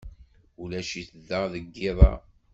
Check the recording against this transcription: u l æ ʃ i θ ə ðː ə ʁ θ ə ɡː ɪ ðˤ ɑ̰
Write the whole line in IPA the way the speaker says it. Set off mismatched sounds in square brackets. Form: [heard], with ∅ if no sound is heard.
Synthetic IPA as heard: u l æ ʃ i θ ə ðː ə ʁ [ð] ə ɡː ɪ ðˤ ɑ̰